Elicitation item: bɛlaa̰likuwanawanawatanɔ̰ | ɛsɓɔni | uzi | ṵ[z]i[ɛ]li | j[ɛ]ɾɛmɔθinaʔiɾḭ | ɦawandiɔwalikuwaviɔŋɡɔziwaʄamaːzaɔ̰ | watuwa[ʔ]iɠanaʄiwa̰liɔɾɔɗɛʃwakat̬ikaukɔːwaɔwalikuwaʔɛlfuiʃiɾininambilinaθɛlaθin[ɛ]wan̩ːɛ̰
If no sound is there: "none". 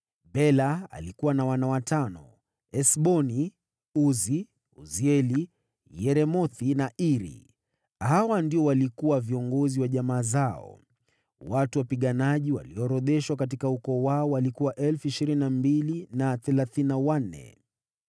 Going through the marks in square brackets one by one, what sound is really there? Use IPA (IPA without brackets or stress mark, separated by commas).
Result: z, ɛ, ɛ, p, a